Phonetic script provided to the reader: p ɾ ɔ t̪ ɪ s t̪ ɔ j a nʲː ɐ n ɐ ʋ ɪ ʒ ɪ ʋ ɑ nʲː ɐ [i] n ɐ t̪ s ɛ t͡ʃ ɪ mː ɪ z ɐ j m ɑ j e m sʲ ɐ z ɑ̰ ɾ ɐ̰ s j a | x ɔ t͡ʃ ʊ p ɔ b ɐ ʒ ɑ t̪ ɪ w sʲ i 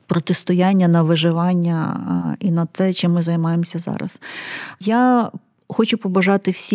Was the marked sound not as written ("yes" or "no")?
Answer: no